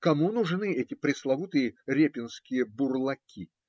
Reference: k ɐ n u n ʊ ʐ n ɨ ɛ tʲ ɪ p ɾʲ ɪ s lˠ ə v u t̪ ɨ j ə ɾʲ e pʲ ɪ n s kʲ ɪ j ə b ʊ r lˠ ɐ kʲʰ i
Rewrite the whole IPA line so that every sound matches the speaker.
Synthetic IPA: k ɐ m u n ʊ ʐ n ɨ ɛ tʲ ɪ p ɾʲ ɪ s lˠ ɐ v u t̪ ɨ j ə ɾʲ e pʲ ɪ n s kʲ ɪ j ə b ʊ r lˠ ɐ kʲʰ i